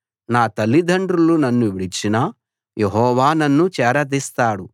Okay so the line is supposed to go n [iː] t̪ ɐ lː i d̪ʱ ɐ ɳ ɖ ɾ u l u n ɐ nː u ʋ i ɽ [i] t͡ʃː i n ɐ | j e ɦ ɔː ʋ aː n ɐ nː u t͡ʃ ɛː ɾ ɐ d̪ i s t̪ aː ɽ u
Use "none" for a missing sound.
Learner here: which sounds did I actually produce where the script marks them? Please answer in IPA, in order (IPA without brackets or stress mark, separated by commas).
aː, i